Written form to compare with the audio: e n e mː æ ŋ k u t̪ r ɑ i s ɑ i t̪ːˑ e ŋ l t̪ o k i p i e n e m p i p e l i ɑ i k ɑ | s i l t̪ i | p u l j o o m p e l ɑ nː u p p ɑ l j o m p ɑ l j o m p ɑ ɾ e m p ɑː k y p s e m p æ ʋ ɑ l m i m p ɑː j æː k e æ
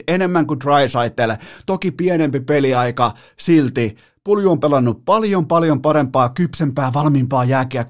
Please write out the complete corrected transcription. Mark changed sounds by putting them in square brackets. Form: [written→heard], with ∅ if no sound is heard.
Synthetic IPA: e n e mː æ ŋ k u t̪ r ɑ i s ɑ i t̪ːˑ e [ŋ→∅] l t̪ o k i p i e n e m p i p e l i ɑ i k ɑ | s i l t̪ i | p u l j [o→u] o m p e l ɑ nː u p p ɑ l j o m p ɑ l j o m p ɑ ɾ e m p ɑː k y p s e m p [æ→æː] ʋ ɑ l m i m p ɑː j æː k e æ